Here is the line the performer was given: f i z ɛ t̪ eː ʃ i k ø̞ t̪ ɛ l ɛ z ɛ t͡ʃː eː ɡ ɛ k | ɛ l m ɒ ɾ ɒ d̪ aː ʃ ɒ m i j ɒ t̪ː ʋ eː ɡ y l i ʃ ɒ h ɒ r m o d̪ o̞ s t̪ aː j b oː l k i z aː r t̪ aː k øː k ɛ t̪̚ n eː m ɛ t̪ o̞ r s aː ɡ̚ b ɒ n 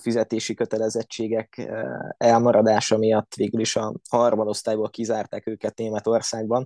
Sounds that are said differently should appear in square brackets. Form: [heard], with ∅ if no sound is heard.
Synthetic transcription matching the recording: f i z ɛ t̪ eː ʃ i k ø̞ t̪ ɛ l ɛ z ɛ t͡ʃː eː ɡ ɛ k | ɛ l m ɒ ɾ ɒ d̪ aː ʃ ɒ m i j ɒ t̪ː ʋ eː ɡ y l i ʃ ɒ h ɒ r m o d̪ o̞ s t̪ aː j b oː l k i z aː r t̪ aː k øː k ɛ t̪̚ n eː m ɛ t̪ o̞ r s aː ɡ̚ b ɒ n